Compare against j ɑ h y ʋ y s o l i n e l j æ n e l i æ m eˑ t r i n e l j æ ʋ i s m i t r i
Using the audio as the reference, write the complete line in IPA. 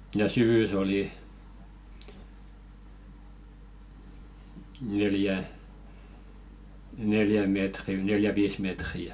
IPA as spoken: j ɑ s y ʋ y s o l i n e l j æ n e l j æ m eˑ t r i n e l j æ ʋ iː s m e t r i